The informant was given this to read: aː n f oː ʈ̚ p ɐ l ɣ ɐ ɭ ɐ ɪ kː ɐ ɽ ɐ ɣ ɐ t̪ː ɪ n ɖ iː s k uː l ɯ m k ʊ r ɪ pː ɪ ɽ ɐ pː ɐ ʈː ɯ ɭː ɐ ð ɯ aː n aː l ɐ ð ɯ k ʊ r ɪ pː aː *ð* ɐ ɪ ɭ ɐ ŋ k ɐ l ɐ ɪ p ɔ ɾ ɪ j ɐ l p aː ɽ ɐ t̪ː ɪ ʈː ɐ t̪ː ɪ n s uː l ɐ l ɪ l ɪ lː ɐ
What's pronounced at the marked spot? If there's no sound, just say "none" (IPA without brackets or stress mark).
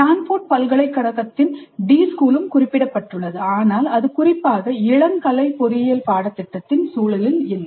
ɣ